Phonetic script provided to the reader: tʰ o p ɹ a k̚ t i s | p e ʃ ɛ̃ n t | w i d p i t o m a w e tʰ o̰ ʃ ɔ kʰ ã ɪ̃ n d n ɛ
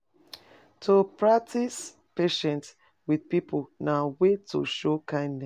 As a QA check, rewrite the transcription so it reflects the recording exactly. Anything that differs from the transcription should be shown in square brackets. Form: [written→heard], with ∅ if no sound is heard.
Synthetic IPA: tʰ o p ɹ a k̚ t i s | p e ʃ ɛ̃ n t | w i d p i [t→p] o [m→n] a w e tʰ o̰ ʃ [ɔ→o] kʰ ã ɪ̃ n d n ɛ

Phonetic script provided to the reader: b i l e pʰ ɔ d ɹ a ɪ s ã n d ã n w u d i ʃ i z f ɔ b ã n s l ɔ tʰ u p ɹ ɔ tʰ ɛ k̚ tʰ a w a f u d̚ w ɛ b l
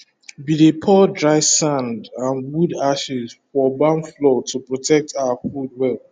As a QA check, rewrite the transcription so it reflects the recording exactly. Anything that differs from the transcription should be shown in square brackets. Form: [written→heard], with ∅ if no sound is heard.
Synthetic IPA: b i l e pʰ ɔ d ɹ a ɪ s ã n d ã n w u d [i→a] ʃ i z f ɔ b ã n [s→f] l ɔ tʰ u p ɹ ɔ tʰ ɛ k̚ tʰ a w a f u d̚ w ɛ [b→∅] l

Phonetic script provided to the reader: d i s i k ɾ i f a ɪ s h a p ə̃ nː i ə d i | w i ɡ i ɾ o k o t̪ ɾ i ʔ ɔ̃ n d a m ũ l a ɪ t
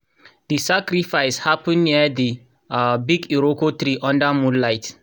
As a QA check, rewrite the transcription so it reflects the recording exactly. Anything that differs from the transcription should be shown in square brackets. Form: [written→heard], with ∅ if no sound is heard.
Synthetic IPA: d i s [i→a] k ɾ i f a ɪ s h a p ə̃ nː i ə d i | [w→b] i ɡ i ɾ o k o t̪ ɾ i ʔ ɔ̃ n d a m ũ l a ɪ t

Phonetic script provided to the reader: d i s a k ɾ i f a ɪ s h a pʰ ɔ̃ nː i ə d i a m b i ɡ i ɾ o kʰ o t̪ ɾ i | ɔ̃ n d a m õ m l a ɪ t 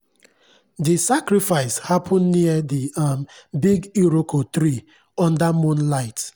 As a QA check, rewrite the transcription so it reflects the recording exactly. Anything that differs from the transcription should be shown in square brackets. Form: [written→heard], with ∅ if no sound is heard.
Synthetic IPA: d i s a k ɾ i f a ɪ s h a pʰ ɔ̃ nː i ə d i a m b i ɡ i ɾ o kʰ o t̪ ɾ i | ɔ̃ n d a m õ [m→n] l a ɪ t

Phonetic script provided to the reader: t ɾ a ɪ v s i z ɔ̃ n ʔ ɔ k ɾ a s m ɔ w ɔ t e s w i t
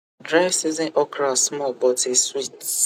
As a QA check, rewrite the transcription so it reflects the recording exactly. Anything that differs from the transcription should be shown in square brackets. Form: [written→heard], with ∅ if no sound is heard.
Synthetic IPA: [t→d] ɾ a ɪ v s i z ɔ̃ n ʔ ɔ k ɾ a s m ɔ [w→b] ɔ t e s w i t

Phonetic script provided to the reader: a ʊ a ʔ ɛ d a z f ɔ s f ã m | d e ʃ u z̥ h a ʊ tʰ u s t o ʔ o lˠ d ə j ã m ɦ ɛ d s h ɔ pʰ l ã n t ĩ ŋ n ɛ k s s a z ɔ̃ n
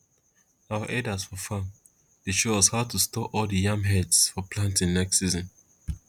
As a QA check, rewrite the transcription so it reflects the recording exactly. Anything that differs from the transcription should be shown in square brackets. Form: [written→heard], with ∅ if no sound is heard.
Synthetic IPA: a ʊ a ʔ ɛ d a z f ɔ [s→∅] f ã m | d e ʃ [u→o] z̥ h a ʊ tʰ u s t [o→ɔ] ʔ [o→ɔ] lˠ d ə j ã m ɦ ɛ d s [h→f] ɔ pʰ l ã n t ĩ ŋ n ɛ k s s [a→i] z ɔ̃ n

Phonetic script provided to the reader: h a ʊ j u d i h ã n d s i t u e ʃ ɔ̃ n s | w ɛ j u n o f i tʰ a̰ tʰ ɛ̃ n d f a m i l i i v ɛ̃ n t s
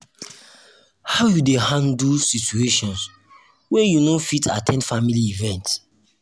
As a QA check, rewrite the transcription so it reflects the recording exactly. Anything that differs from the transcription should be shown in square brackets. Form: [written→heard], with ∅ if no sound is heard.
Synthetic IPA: h a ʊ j u d [i→e] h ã n d s i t u e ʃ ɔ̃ n s | w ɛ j u n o f i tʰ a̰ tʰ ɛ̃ n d f a m i l i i v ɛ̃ n t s

